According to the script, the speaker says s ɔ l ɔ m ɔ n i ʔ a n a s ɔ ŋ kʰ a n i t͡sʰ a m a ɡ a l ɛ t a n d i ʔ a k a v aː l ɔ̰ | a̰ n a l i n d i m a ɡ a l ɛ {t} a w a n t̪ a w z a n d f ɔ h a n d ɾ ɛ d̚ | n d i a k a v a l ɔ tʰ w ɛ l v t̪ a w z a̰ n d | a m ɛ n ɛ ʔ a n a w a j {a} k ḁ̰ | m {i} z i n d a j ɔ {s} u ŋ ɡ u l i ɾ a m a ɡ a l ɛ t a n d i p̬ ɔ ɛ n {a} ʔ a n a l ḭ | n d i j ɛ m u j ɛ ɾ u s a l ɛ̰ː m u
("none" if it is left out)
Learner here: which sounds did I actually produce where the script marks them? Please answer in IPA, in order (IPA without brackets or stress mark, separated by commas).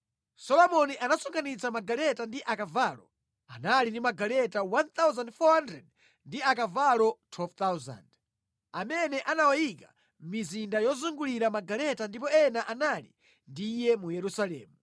t, i, i, z, a